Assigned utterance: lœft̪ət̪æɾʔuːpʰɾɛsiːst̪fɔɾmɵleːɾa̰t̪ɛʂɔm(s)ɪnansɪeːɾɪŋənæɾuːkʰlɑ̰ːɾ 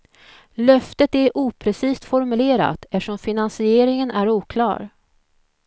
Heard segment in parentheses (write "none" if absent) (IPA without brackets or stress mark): f